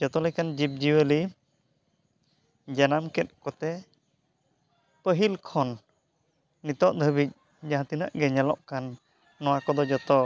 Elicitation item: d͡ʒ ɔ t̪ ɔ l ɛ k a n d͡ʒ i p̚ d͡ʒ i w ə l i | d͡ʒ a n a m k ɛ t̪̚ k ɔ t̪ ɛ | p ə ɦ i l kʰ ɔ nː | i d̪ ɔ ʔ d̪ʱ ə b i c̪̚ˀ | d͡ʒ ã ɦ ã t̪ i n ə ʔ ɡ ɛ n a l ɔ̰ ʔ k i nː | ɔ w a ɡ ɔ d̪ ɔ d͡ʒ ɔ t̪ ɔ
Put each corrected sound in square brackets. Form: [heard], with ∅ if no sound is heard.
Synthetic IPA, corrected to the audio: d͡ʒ ɔ t̪ ɔ l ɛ k a n d͡ʒ i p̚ d͡ʒ i w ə l i | d͡ʒ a n a m k ɛ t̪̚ k ɔ t̪ ɛ | p ə ɦ i l kʰ ɔ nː | i [t̪] ɔ ʔ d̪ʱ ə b i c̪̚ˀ | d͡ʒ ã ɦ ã t̪ i n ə ʔ ɡ ɛ [ɲ] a l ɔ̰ ʔ k [a] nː | ɔ w a [k] ɔ d̪ ɔ d͡ʒ ɔ t̪ ɔ